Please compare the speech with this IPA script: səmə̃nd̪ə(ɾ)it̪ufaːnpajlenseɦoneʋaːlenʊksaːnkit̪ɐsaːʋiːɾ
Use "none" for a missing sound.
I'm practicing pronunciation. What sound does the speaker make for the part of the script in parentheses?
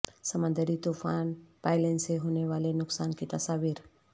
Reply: ɾ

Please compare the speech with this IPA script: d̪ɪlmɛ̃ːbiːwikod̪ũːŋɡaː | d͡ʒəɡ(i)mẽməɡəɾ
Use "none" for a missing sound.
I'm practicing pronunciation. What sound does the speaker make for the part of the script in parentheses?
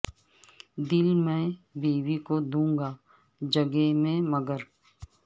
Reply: e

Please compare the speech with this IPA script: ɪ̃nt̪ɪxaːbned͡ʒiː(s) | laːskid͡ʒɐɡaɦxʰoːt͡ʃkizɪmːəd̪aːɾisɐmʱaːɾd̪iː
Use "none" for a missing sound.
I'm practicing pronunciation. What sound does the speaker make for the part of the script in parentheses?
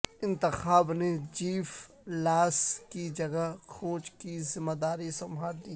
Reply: f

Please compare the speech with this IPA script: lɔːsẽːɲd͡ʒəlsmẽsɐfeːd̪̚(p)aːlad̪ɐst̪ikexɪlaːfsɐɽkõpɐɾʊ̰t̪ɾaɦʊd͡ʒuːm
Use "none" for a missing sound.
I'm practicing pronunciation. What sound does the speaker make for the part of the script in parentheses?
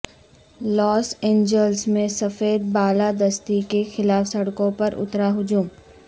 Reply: b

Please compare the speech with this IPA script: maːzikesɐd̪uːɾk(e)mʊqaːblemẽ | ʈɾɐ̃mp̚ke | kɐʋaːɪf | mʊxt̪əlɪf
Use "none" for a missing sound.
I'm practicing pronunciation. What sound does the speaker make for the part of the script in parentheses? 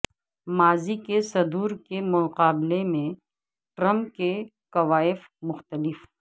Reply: e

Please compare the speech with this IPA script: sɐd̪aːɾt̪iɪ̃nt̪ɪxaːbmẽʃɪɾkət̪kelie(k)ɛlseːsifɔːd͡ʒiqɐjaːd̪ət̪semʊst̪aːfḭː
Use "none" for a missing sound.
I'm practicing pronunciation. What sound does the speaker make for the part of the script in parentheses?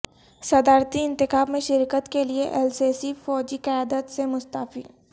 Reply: ʔ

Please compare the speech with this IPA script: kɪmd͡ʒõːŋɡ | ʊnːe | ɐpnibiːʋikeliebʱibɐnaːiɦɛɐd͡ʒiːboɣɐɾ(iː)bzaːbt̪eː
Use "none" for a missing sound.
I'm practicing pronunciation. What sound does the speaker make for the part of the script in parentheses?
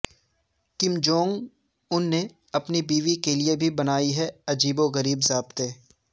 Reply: iː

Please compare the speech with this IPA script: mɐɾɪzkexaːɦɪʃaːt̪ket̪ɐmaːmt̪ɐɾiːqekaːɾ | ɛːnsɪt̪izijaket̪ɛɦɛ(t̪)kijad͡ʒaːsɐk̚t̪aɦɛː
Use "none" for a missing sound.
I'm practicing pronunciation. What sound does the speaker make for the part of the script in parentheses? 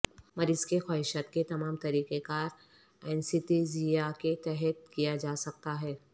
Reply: t̪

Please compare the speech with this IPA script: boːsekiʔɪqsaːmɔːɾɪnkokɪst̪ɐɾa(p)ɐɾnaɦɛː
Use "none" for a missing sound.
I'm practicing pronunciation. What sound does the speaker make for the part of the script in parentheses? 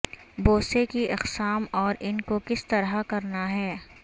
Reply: k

